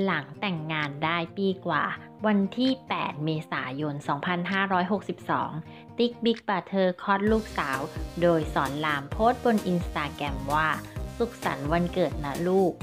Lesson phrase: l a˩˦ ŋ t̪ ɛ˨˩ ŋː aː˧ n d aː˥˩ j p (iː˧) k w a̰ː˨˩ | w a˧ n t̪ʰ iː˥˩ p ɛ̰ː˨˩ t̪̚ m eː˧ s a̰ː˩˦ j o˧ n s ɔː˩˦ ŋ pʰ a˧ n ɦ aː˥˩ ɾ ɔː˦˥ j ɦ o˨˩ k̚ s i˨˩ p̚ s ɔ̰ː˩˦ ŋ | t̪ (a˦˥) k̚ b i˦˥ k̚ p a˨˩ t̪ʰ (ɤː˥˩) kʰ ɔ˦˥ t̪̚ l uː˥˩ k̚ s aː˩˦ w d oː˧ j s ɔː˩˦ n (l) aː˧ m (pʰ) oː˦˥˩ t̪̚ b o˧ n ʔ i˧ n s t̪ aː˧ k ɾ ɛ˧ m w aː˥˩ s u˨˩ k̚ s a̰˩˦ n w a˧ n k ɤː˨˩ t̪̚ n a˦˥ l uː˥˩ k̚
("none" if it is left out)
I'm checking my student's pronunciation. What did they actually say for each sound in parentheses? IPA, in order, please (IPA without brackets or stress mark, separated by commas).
iː˧, i˦˥, ɤː˧, l, pʰ